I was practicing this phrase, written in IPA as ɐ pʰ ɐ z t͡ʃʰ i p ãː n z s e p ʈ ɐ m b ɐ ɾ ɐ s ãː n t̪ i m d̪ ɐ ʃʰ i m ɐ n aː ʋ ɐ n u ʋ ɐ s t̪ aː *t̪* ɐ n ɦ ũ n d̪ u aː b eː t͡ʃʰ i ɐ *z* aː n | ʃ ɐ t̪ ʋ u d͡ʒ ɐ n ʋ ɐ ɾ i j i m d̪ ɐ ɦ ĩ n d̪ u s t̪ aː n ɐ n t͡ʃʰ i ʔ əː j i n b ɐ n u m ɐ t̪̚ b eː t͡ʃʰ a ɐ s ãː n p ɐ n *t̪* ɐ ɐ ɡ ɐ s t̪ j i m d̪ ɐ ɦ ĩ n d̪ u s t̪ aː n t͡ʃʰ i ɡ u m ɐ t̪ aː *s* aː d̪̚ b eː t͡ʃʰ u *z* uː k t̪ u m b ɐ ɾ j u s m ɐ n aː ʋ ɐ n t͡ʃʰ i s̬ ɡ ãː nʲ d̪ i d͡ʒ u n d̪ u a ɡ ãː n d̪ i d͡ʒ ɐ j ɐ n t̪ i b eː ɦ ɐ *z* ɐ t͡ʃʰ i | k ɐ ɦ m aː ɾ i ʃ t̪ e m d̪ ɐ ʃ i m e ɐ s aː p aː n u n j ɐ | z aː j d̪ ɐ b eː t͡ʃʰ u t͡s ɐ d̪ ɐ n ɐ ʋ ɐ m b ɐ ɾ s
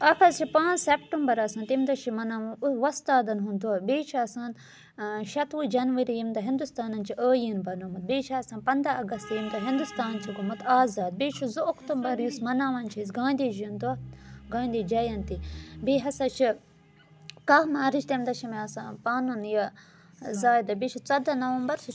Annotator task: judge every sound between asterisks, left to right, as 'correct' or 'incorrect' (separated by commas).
incorrect, incorrect, incorrect, incorrect, correct, incorrect